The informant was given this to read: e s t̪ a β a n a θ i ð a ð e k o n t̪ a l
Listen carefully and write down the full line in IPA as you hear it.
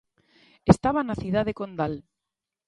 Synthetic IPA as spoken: e s t̪ a β a n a θ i ð a ð e k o n d̪ a l